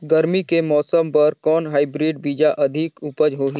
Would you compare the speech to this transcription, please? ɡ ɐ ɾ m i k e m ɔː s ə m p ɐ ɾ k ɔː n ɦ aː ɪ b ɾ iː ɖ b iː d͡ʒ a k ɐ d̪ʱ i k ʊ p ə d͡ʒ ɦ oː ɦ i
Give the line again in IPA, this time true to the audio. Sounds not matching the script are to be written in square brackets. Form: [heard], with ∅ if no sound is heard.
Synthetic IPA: ɡ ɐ ɾ m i k e m ɔː s ə m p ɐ ɾ k ɔː n ɦ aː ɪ b ɾ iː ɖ b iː d͡ʒ a [ʔ] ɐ d̪ʱ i k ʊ p ə d͡ʒ ɦ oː ɦ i